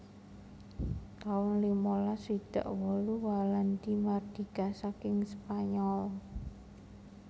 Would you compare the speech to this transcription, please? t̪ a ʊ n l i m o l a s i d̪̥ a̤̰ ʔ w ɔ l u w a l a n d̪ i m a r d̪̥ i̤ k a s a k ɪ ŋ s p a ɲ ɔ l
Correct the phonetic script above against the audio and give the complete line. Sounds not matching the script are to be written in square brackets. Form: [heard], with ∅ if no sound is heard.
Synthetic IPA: t̪ a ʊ n l i m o l a s i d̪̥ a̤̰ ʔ w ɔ l u w a l a n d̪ i m a r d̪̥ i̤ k a s a k ɪ ŋ s p a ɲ ɔ l